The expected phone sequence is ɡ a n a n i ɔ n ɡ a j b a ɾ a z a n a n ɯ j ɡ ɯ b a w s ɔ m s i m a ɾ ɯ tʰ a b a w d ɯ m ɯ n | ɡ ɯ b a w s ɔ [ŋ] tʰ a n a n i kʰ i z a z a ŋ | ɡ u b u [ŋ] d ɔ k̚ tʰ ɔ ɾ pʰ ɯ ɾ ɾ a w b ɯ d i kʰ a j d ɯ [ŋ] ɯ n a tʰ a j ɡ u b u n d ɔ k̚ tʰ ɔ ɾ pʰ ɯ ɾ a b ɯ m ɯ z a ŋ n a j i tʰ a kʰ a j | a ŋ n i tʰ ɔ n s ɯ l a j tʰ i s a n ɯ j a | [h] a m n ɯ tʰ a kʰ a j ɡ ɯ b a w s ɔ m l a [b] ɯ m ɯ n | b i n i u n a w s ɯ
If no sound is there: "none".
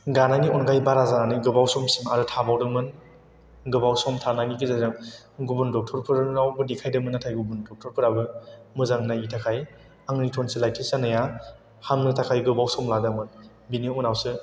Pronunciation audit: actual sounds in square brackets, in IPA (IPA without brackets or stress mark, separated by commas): m, n, m, h, d